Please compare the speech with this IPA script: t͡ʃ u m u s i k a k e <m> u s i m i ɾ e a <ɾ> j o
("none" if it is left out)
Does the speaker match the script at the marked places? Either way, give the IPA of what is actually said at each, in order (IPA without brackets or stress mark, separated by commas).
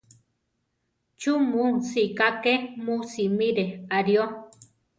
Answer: m, ɾ